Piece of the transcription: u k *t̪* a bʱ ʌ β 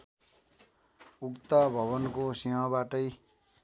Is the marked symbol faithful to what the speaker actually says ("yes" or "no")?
yes